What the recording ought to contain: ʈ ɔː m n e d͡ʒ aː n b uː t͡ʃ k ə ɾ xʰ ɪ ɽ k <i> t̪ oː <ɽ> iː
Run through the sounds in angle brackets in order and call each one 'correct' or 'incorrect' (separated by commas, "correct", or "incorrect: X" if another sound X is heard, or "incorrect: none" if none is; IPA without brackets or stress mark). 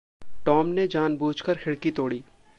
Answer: correct, correct